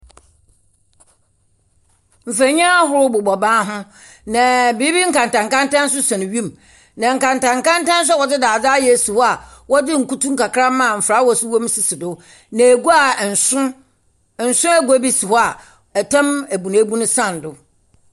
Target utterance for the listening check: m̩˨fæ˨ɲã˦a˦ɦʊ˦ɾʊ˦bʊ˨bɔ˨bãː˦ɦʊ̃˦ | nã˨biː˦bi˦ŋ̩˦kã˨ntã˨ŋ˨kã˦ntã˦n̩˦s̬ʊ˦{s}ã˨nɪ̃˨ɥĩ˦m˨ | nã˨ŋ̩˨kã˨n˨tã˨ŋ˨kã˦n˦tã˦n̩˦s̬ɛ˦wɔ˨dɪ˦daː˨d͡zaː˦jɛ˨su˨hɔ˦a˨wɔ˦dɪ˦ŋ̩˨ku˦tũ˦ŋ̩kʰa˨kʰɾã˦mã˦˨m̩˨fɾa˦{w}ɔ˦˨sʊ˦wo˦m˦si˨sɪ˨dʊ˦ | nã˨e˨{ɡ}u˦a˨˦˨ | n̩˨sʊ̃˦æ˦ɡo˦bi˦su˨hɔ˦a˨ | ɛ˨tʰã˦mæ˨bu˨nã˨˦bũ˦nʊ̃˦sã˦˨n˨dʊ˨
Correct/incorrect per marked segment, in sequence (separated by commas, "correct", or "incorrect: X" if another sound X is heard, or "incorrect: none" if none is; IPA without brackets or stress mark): correct, correct, correct